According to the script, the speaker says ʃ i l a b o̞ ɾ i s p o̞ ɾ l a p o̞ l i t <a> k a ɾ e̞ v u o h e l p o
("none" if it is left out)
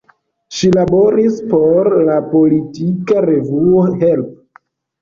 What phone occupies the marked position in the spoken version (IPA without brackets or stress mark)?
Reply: i